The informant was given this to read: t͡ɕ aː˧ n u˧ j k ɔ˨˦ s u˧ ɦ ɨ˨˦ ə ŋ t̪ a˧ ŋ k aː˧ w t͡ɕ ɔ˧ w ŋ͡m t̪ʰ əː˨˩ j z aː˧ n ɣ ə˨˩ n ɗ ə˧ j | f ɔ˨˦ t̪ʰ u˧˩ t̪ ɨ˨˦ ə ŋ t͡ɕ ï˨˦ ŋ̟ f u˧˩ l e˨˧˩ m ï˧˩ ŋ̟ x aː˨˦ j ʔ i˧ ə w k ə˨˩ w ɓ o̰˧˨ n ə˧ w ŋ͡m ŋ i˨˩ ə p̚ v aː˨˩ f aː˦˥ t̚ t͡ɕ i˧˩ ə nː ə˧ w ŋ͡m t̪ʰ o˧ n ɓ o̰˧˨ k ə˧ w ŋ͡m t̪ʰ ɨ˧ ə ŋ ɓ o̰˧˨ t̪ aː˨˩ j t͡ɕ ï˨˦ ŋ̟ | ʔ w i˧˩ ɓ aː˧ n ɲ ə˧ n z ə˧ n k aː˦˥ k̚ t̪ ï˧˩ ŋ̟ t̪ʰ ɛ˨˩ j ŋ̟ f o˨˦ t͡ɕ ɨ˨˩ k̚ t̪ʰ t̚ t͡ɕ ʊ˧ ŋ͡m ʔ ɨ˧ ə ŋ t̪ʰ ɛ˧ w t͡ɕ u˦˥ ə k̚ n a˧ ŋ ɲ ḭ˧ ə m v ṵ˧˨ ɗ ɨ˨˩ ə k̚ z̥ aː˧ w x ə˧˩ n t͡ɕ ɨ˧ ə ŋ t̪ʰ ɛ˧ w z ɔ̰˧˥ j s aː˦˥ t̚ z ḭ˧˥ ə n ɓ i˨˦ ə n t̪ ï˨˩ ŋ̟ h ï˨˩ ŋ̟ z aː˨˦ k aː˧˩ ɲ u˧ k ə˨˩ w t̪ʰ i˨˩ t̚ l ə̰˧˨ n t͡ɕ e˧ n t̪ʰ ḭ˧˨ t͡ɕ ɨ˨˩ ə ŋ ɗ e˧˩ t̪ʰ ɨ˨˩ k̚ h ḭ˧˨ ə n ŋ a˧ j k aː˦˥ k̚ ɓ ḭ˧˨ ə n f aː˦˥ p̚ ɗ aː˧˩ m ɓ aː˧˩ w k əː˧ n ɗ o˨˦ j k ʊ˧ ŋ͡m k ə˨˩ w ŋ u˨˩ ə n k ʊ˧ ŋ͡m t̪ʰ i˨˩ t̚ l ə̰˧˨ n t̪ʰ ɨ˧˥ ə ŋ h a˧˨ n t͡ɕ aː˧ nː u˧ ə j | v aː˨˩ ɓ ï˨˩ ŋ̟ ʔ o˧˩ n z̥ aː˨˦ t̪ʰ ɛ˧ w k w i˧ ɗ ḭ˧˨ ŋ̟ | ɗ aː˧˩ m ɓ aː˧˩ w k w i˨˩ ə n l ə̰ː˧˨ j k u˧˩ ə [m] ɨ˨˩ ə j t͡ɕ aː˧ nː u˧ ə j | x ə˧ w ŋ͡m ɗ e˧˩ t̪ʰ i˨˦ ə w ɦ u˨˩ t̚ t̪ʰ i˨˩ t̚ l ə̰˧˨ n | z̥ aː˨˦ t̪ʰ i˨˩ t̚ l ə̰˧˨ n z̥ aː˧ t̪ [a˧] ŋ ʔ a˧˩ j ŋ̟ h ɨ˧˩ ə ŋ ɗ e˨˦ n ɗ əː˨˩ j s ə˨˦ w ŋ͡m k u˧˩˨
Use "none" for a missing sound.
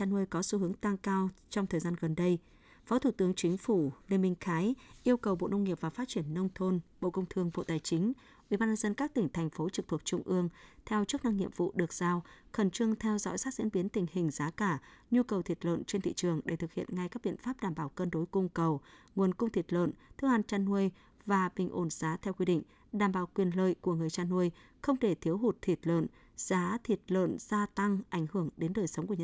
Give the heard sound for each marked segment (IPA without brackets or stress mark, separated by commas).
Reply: ŋ, a˧